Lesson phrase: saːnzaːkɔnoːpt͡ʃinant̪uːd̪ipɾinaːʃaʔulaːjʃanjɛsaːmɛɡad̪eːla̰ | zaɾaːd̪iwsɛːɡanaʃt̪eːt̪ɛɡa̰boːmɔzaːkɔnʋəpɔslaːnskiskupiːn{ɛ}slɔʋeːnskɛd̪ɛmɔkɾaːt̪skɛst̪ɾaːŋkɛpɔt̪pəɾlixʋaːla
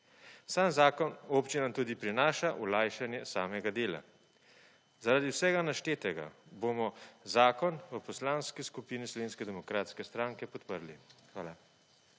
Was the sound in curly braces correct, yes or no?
no